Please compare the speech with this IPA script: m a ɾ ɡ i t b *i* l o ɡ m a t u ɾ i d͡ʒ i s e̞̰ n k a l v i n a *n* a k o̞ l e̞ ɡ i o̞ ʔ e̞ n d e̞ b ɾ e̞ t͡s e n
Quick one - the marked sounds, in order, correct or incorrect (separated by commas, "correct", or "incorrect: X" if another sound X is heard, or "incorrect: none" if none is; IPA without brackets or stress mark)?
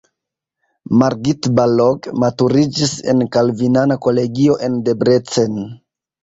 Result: incorrect: a, correct